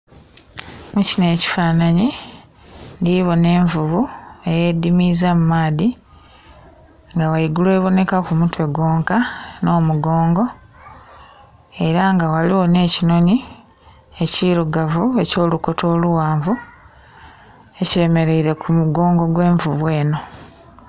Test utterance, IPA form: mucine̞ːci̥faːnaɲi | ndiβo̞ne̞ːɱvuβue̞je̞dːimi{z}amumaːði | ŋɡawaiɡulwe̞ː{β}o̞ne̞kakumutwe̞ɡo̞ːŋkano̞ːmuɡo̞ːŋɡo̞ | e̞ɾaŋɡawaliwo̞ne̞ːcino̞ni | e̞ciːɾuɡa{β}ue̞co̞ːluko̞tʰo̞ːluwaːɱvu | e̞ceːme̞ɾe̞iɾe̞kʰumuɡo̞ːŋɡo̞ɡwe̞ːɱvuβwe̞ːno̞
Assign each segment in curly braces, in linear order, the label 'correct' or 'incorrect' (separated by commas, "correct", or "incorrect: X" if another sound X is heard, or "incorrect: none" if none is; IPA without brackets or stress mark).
correct, correct, incorrect: v